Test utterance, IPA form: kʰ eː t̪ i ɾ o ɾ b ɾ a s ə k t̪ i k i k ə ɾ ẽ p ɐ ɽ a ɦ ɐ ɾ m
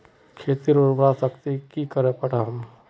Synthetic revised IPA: kʰ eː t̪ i ɾ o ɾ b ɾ a s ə k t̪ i k i k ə ɾ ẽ p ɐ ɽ a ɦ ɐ m